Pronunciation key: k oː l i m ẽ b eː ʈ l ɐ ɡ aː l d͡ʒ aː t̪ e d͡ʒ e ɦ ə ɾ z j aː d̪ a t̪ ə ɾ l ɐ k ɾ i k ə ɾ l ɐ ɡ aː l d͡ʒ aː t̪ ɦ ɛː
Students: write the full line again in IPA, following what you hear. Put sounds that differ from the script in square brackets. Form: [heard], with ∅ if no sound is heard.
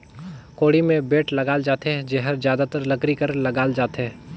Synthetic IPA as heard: k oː [ɽ] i m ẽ b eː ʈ l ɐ ɡ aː l d͡ʒ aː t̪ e d͡ʒ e ɦ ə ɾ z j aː d̪ a t̪ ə ɾ l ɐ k ɾ i k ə ɾ l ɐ ɡ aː l d͡ʒ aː t̪ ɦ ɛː